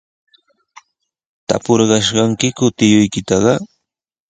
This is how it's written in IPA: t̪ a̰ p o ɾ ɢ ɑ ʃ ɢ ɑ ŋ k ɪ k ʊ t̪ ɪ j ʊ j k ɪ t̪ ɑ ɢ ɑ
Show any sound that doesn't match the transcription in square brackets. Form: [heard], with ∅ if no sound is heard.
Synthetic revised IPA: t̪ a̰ p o ɾ ɢ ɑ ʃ ɢ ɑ ŋ k ɪ k ʊ t̪ ɪ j ʊ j k ɪ t̪ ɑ ɢ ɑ